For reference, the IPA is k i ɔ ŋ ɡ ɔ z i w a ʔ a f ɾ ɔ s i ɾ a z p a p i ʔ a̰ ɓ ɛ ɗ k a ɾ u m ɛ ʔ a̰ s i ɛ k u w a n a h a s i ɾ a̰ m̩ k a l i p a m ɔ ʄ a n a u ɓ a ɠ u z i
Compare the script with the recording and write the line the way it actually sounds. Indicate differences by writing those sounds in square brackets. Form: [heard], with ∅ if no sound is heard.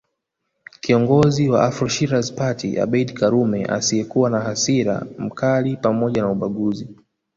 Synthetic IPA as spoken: k i ɔ ŋ ɡ ɔ z i w a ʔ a f ɾ ɔ [ʃ] i ɾ a z p a [t] i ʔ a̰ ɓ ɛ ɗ k a ɾ u m ɛ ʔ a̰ s i ɛ k u w a n a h a s i ɾ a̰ m̩ k a l i p a m ɔ ʄ a n a u ɓ a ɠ u z i